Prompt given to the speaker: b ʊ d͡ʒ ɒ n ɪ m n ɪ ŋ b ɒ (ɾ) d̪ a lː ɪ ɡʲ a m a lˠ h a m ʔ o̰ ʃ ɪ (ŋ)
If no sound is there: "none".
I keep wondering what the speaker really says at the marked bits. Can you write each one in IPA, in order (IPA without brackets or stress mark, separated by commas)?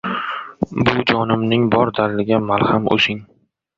ɾ, ŋ